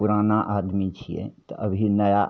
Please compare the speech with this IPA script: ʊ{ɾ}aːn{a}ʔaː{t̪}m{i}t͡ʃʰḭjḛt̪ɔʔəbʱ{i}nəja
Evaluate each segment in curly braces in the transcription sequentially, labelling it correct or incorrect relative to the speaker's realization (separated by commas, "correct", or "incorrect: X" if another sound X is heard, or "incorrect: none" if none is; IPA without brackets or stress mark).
correct, correct, incorrect: d̪, correct, correct